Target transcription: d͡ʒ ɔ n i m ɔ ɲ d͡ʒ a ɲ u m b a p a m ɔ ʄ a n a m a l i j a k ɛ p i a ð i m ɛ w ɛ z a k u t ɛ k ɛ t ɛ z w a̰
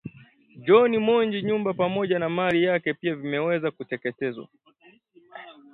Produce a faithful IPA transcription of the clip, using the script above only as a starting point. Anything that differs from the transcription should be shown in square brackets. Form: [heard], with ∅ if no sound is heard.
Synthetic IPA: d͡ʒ ɔ n i m ɔ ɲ d͡ʒ [i] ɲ u m b a p a m ɔ ʄ a n a m a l i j a k ɛ p i a [v] i m ɛ w ɛ z a k u t ɛ k ɛ t ɛ z w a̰